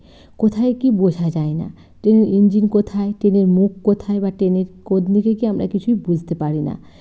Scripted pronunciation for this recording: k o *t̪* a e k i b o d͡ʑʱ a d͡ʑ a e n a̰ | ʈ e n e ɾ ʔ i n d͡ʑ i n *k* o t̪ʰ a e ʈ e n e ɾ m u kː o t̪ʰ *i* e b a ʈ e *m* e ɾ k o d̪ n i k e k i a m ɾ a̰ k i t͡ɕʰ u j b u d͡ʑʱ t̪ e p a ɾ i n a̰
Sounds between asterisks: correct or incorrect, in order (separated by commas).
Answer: incorrect, correct, incorrect, incorrect